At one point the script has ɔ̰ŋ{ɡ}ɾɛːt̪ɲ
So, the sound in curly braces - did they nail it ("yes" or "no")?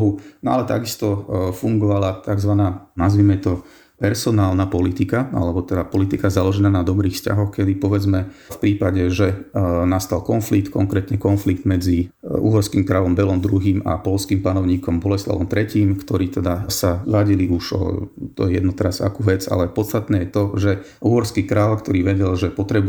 no